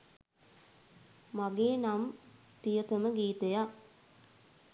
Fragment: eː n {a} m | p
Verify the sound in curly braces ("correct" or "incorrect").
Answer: correct